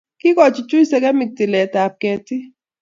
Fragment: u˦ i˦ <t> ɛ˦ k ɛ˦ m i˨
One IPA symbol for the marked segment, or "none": s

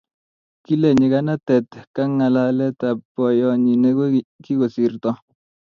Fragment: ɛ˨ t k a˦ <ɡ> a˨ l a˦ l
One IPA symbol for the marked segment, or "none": ŋ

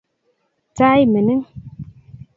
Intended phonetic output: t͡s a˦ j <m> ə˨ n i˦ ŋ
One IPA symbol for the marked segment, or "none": m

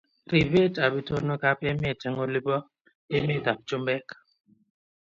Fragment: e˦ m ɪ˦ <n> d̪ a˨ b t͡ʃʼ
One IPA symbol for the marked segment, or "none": none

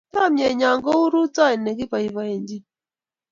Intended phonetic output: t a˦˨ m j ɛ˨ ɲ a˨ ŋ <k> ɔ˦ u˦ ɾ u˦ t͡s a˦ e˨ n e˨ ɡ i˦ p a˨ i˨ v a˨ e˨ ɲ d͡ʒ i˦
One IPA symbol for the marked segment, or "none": ɡ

